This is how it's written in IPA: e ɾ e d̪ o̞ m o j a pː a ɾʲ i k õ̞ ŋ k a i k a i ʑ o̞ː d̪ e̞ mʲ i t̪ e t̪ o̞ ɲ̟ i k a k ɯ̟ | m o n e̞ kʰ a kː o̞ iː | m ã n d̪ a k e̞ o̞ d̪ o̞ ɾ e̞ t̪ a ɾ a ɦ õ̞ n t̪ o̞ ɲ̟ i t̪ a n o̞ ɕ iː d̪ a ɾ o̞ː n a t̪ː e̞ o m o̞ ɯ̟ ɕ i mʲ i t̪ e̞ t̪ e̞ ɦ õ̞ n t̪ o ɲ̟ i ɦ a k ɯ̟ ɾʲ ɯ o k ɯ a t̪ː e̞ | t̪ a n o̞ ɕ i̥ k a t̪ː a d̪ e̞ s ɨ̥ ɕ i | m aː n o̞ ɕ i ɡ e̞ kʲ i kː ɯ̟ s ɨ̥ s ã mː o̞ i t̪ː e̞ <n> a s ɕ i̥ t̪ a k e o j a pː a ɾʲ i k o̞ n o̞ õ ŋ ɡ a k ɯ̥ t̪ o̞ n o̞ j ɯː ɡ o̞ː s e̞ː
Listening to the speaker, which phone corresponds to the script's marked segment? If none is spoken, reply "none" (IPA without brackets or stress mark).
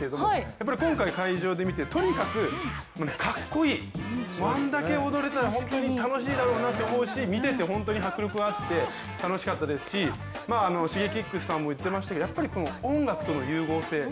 m